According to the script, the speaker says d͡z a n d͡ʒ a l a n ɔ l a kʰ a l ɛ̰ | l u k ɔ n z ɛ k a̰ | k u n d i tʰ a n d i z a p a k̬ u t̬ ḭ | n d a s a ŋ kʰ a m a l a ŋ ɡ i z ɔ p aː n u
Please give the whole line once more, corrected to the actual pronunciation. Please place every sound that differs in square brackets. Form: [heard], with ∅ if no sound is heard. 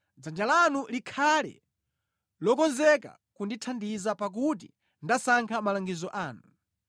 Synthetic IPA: d͡z a n d͡ʒ a l a n [u] l [i] kʰ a l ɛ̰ | l [ɔ] k ɔ n z ɛ k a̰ | k u n d i tʰ a n d i z a p a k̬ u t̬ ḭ | n d a s a ŋ kʰ a m a l a ŋ ɡ i z ɔ [ʔ] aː n u